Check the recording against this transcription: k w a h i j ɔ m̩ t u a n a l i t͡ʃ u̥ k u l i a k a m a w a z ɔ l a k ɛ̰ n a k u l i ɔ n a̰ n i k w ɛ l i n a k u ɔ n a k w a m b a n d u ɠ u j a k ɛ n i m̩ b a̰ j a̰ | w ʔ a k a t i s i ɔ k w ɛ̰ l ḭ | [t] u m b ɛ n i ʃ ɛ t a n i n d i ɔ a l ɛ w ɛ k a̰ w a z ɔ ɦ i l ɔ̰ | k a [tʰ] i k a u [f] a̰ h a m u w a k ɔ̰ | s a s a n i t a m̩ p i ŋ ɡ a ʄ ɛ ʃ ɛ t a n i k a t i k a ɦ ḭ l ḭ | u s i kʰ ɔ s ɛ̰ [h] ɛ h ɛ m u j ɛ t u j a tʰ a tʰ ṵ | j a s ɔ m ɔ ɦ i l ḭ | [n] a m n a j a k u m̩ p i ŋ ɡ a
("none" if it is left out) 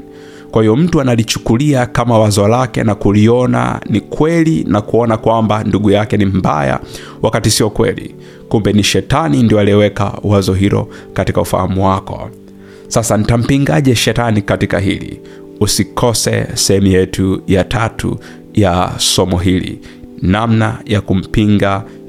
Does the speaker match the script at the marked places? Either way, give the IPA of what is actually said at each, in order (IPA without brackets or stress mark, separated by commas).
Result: k, t, f, s, n